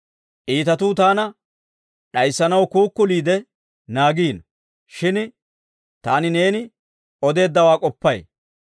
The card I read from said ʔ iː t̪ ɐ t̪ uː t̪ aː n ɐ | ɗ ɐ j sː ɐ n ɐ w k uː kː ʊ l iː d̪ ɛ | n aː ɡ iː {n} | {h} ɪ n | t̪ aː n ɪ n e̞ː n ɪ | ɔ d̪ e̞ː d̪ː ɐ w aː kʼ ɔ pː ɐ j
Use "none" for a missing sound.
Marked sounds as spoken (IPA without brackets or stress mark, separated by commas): n, ʃ